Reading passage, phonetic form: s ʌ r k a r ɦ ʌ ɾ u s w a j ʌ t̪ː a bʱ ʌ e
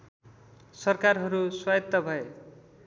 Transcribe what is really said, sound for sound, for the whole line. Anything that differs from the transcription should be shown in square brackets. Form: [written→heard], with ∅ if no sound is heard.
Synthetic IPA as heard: s ʌ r k a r ɦ ʌ ɾ u s w a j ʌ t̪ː [a→ʌ] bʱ ʌ e